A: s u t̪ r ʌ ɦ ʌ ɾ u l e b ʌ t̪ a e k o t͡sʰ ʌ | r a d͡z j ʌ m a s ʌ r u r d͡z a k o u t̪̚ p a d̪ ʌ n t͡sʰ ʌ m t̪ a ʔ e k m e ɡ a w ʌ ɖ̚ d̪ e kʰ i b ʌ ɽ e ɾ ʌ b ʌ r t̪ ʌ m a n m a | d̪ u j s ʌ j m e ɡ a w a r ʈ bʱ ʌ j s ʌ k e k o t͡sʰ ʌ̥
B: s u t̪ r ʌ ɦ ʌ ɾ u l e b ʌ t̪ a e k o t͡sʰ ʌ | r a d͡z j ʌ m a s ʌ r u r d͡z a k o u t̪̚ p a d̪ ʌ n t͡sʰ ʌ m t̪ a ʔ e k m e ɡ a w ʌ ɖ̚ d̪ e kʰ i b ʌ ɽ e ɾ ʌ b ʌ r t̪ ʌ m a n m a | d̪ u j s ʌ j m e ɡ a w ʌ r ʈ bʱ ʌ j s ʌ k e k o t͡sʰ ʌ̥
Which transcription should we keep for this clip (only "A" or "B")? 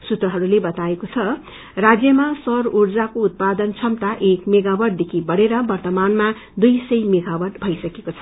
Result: B